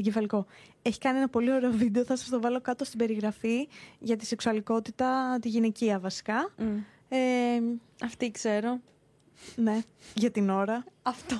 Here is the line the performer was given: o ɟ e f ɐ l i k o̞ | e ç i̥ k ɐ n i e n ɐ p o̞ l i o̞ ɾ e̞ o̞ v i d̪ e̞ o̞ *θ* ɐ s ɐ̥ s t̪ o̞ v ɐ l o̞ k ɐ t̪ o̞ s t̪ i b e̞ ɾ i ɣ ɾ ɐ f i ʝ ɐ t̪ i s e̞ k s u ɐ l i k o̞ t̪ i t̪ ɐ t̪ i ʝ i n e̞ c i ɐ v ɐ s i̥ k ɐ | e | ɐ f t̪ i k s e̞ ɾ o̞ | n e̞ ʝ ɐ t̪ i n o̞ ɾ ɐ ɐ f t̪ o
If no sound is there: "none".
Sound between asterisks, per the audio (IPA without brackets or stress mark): θ